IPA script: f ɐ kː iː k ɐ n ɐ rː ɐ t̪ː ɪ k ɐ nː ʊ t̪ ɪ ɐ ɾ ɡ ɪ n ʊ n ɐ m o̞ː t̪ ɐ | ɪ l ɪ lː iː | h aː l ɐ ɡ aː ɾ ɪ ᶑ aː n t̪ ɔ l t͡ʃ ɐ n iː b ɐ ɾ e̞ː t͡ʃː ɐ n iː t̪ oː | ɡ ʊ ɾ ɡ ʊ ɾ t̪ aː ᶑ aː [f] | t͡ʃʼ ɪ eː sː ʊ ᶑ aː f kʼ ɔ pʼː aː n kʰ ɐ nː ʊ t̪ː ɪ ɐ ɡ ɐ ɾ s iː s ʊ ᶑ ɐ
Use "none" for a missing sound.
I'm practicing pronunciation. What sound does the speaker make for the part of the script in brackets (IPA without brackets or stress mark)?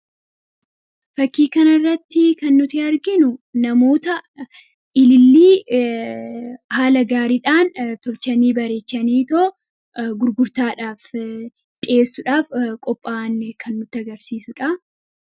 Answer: f